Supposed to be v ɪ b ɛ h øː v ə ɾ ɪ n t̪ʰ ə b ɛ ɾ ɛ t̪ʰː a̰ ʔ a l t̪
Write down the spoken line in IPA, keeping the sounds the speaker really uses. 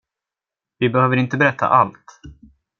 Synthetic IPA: v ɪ b ɛ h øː v ə ɾ ɪ n t̪ ə b ɛ ɾ ɛ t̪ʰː a̰ ʔ a l t̪